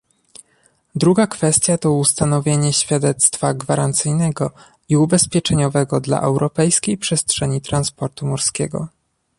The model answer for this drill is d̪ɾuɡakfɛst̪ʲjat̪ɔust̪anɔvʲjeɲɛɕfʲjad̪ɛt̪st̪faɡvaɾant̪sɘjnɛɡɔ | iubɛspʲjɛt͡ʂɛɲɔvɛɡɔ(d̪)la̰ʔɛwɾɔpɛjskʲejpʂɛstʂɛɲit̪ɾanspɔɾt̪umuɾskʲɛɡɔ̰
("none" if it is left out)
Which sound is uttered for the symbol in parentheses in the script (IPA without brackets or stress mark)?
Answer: d̪